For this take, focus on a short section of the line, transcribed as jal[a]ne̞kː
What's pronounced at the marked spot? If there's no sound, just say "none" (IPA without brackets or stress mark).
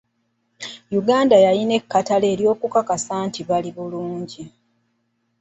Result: i